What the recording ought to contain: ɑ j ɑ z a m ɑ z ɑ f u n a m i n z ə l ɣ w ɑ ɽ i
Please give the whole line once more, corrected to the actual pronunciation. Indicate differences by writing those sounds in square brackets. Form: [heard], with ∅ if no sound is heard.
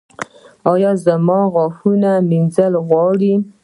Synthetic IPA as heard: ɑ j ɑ z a m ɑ [ɣ] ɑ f u n a m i n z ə l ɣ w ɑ ɽ i